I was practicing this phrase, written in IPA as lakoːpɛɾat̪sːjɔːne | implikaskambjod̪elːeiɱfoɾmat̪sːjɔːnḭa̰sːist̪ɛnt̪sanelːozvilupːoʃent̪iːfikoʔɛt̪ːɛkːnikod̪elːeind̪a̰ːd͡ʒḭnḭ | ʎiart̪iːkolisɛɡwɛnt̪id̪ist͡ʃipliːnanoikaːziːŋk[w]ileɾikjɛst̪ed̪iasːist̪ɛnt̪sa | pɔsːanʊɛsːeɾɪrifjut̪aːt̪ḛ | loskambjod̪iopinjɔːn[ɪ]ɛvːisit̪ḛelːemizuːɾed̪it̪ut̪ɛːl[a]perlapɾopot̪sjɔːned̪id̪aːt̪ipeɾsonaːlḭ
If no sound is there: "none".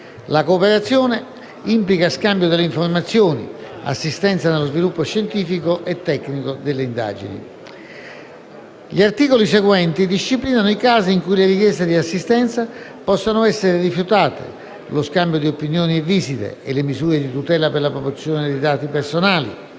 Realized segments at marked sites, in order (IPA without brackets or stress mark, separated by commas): u, i, a